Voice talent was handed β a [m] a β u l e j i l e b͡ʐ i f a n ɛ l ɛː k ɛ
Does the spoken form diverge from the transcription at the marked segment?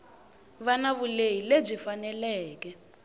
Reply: yes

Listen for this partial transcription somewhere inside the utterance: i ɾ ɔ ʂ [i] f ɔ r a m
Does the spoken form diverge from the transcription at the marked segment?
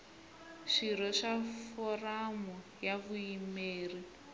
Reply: yes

